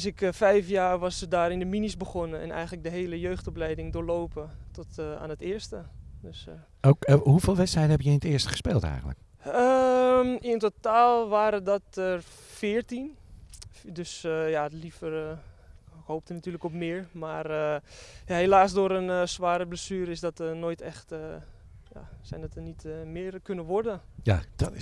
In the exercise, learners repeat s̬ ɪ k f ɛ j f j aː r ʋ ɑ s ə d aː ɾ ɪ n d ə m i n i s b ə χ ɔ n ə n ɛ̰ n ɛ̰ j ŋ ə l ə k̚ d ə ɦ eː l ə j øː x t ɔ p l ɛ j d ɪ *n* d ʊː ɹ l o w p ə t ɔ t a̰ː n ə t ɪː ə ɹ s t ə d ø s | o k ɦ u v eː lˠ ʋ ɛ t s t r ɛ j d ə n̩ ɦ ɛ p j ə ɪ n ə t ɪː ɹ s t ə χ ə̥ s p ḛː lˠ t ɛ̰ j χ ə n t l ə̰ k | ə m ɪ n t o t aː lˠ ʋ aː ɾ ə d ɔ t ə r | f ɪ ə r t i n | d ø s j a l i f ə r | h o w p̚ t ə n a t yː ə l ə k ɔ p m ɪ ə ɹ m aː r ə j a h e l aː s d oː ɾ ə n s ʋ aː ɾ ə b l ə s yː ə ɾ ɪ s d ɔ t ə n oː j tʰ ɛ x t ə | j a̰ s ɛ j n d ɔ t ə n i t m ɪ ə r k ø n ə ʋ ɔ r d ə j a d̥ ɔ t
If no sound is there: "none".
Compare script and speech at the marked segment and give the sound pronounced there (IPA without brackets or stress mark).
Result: ŋ